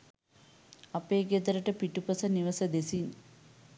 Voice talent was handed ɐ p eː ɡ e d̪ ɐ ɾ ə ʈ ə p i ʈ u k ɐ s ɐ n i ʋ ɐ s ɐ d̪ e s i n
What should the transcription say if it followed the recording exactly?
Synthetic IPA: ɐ p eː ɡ e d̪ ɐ ɾ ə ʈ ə p i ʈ u p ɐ s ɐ n i ʋ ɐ s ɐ d̪ e s i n